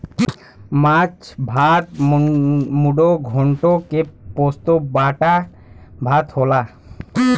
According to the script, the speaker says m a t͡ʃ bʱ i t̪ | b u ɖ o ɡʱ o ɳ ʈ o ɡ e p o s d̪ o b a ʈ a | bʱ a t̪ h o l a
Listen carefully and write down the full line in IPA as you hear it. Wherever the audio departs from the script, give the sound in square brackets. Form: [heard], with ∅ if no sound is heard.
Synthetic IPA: m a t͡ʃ bʱ [a] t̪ | [m] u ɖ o ɡʱ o ɳ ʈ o [k] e p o s [t̪] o b a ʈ a | bʱ a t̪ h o l a